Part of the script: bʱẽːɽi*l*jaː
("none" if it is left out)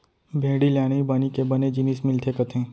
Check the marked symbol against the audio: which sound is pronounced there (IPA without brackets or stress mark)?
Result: l